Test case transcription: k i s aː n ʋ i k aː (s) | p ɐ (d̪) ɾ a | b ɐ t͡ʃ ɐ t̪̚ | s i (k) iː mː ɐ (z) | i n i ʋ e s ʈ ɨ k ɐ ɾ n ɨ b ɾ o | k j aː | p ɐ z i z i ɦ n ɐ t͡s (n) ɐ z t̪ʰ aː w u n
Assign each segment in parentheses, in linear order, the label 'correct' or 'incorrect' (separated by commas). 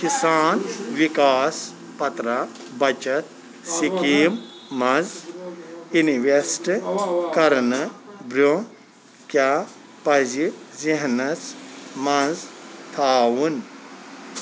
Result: correct, incorrect, correct, correct, incorrect